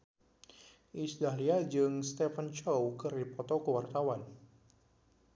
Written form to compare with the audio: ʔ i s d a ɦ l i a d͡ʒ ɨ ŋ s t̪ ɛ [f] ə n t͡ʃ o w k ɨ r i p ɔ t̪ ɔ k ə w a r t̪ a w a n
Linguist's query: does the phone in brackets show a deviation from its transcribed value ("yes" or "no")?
no